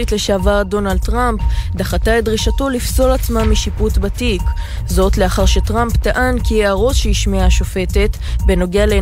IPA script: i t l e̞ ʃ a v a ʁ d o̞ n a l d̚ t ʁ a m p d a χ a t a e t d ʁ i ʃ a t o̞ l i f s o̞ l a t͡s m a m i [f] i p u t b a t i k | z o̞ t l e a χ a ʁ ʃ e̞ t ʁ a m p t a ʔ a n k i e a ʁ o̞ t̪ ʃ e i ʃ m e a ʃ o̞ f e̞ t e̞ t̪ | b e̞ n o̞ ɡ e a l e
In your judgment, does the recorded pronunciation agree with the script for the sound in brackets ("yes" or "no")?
no